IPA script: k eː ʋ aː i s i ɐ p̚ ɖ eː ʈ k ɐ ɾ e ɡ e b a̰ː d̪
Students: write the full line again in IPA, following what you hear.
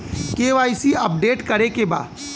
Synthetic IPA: k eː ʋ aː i s i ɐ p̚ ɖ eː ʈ k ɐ ɾ e k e b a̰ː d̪